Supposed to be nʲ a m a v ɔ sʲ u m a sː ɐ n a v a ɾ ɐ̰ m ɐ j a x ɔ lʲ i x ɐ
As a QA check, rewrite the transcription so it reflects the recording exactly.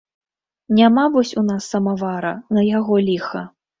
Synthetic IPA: nʲ a m a v ɔ sʲ u n a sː ɐ m a v a ɾ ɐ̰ n ɐ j a ɣ ɔ lʲ i x ɐ